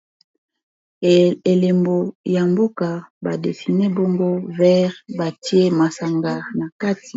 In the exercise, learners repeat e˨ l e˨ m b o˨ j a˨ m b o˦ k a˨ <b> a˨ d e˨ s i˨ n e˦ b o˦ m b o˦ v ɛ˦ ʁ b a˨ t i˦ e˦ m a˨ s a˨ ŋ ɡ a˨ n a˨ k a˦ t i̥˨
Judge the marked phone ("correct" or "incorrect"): correct